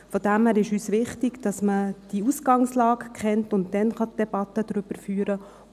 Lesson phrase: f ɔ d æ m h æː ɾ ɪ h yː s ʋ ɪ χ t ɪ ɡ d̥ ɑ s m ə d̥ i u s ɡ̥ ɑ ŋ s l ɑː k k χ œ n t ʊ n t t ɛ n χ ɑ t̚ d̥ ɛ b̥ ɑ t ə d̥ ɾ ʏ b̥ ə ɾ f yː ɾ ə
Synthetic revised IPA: f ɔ d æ m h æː ɾ ɪ ʃ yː s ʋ ɪ χ t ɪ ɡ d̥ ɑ s m ə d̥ i u s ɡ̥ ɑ ŋ s l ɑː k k χ ɛ n t ʊ n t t ɛ n χ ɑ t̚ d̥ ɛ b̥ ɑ t ə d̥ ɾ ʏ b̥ ə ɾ f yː ɾ ə